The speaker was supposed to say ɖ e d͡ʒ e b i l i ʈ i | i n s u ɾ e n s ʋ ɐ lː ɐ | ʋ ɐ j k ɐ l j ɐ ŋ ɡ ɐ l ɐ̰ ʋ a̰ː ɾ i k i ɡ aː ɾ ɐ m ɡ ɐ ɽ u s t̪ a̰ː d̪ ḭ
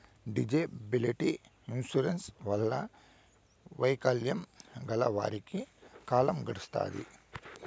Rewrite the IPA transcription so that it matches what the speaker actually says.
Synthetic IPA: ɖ i d͡ʒ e b i l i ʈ i | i n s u ɾ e n s ʋ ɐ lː ɐ | ʋ ɐ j k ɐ l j ɐ m ɡ ɐ l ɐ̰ ʋ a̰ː ɾ i k i k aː l ɐ m ɡ ɐ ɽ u s t̪ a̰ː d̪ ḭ